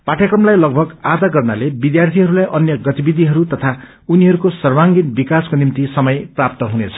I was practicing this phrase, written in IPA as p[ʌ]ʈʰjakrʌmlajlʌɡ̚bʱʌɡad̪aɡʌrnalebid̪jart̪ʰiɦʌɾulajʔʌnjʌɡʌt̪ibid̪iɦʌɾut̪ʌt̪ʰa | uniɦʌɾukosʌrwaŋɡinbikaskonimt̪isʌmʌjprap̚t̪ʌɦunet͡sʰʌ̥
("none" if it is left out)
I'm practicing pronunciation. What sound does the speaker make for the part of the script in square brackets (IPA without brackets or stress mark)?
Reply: a